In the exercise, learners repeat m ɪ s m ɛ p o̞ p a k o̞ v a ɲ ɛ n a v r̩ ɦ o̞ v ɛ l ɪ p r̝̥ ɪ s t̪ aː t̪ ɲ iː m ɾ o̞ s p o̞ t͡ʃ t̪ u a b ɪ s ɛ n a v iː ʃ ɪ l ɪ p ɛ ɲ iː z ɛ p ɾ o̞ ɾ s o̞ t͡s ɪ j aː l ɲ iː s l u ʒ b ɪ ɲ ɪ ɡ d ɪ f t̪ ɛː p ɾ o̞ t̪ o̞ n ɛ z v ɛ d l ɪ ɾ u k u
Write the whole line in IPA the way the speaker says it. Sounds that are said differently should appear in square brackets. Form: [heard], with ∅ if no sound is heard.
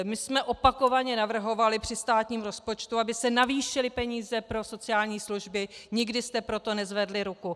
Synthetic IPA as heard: m ɪ s m ɛ [ʔ] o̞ p a k o̞ v a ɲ ɛ n a v r̩ ɦ o̞ v [a] l ɪ p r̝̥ ɪ s t̪ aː t̪ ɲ iː m ɾ o̞ s p o̞ t͡ʃ t̪ u a b ɪ s ɛ n a v iː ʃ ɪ l ɪ p ɛ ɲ iː z ɛ p ɾ o̞ [∅] s o̞ t͡s ɪ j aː l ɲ iː s l u ʒ b ɪ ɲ ɪ ɡ d ɪ [s] t̪ [ɛ] p ɾ o̞ t̪ o̞ n ɛ z v ɛ d l ɪ ɾ u k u